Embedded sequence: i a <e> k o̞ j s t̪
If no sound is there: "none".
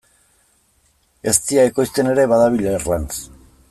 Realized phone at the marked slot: e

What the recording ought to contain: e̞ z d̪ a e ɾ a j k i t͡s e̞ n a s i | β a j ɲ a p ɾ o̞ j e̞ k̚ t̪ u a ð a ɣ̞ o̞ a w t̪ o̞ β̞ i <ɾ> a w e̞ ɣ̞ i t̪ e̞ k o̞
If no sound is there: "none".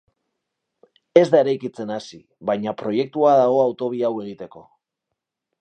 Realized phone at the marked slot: none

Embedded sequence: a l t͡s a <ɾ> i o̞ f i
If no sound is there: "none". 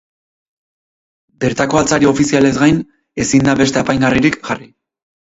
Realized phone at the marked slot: ɾ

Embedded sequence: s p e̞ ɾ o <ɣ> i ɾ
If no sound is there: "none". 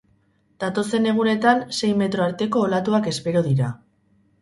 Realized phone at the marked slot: ð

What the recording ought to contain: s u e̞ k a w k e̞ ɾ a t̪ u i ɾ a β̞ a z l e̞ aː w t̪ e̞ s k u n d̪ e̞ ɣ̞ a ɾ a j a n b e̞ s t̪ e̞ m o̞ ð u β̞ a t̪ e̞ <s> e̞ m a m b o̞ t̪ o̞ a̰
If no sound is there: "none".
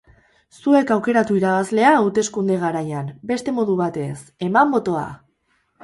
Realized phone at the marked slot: s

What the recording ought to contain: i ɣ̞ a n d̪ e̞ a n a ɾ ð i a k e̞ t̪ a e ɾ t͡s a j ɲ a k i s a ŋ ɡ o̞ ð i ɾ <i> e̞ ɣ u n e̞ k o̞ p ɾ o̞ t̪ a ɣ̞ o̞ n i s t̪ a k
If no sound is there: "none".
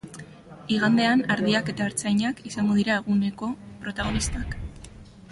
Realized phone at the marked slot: a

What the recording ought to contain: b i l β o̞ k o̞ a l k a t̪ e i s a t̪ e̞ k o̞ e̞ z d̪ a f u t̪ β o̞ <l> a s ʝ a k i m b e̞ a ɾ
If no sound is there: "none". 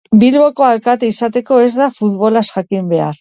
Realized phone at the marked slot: l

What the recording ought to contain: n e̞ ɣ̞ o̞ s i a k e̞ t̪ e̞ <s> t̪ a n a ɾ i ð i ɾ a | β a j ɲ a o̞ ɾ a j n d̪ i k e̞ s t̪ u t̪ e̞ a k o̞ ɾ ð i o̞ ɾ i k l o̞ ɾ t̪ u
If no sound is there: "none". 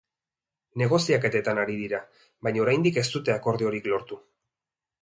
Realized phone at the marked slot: none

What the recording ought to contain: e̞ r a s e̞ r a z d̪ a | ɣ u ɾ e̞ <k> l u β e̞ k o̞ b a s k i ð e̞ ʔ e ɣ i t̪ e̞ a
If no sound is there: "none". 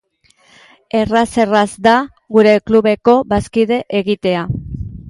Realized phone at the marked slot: k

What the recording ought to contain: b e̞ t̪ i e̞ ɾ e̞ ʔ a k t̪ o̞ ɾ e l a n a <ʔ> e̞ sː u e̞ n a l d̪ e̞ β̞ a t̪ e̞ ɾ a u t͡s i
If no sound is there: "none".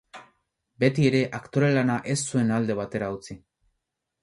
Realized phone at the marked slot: ʔ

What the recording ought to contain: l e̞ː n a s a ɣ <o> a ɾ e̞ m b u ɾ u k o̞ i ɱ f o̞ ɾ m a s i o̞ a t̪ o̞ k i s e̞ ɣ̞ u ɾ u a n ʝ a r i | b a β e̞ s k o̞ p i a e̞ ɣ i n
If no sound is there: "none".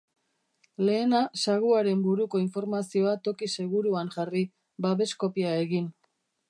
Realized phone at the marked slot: u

